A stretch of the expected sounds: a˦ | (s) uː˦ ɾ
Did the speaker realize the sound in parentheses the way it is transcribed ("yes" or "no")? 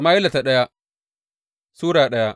yes